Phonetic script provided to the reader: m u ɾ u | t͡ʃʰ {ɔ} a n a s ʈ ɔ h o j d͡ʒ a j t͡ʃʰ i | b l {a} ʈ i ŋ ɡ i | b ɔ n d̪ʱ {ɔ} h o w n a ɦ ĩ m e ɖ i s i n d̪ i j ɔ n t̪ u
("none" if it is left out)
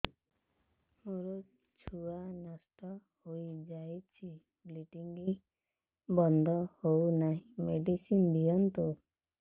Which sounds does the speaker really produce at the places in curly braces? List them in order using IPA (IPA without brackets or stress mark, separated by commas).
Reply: u, i, ɔ